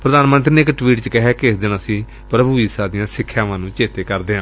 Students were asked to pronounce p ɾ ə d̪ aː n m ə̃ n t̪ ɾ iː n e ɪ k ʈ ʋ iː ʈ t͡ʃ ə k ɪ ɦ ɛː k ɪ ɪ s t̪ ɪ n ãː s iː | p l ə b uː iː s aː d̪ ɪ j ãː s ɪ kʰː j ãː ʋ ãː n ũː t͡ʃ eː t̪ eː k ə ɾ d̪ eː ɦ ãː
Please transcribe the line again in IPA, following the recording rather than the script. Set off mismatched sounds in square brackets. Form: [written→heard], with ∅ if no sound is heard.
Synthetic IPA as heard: p ɾ ə d̪ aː n m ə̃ n t̪ ɾ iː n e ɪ k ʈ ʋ iː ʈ t͡ʃ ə k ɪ ɦ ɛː k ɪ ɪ s [t̪→d̪] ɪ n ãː s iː | p [l→ɾ] ə b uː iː s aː d̪ ɪ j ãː s ɪ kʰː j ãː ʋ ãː n ũː t͡ʃ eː t̪ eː k ə ɾ d̪ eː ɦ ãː